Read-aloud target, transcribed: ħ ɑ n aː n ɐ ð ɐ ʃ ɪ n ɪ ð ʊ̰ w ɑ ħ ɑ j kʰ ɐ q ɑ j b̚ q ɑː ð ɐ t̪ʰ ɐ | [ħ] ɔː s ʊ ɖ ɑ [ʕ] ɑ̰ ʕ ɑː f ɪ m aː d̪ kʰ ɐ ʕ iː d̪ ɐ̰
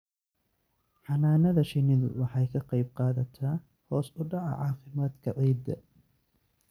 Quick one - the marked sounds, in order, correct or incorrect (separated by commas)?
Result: incorrect, correct